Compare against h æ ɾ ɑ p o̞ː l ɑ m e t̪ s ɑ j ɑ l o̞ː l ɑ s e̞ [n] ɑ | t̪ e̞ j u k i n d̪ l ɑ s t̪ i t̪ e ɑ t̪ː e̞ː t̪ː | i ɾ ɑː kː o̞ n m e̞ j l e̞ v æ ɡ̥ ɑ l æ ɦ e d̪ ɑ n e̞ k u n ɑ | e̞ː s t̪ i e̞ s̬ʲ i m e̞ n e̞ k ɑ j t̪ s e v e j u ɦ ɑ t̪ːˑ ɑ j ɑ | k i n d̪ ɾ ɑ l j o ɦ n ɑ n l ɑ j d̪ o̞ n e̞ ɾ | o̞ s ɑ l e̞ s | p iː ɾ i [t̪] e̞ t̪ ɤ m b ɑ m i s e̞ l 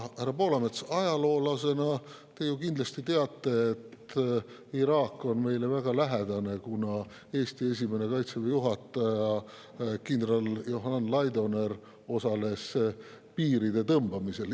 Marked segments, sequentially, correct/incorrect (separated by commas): correct, incorrect